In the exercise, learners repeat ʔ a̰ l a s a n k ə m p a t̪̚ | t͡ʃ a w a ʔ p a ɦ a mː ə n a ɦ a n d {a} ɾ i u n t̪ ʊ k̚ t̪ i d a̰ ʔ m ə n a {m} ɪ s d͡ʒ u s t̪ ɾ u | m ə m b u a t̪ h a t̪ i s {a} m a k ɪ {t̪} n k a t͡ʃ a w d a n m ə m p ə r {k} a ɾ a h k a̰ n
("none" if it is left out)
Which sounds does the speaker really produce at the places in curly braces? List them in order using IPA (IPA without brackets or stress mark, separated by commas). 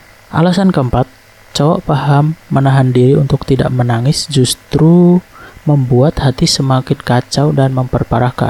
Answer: i, ŋ, ə, none, p